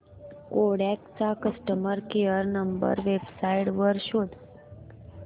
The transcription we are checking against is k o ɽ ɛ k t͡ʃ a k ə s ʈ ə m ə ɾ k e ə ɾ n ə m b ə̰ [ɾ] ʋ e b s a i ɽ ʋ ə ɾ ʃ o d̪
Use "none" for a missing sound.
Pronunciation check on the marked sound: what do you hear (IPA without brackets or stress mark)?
ɾ